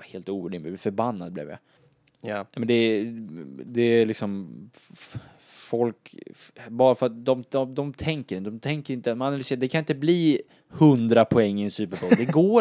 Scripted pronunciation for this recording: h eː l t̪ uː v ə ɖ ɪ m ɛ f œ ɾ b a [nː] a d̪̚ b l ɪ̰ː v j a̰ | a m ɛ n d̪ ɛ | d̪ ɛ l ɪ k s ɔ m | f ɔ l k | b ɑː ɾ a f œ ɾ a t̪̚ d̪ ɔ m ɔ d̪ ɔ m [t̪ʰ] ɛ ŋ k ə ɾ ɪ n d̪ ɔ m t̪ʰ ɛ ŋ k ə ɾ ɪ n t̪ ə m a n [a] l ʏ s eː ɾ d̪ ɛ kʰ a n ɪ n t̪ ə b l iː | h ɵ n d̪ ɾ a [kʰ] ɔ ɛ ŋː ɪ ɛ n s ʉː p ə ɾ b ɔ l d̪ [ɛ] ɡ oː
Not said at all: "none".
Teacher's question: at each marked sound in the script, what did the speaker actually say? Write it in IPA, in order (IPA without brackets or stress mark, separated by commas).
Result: nː, t̪ʰ, a, pʰ, ɛ